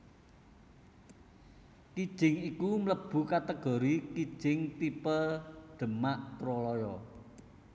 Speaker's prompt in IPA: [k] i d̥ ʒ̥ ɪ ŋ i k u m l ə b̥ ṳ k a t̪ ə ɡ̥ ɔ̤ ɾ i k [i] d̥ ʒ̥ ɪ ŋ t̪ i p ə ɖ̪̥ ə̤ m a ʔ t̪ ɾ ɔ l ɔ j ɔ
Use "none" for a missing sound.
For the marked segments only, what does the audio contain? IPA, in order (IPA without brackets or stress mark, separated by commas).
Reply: k, i